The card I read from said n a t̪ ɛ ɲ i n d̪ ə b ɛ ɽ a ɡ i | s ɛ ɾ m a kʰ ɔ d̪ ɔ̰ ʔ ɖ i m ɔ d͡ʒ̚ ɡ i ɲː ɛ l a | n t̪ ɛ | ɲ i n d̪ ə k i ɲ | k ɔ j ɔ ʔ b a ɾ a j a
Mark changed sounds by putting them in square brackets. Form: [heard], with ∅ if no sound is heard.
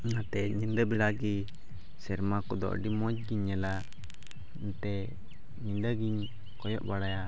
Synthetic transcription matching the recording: n a t̪ ɛ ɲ i n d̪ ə b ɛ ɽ a ɡ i | s ɛ ɾ m a [k] ɔ d̪ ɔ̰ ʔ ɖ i m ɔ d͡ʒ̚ ɡ i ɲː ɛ l a | n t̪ ɛ | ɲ i n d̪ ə [ɡ] i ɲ | k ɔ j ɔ ʔ b a [ɽ] a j a